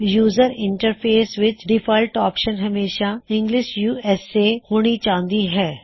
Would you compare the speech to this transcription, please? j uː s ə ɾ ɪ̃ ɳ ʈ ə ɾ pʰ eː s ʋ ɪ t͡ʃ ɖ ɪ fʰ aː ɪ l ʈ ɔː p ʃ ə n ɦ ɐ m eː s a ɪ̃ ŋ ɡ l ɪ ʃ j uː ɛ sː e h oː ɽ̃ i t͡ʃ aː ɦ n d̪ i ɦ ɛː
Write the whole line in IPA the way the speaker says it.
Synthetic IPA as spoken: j uː z ə ɾ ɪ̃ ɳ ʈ ə ɾ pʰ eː s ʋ ɪ t͡ʃ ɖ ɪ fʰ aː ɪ l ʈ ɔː p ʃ ə n ɦ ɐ m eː ʃ a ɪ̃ ŋ ɡ l ɪ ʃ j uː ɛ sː e h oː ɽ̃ i t͡ʃ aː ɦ n d̪ i ɦ ɛː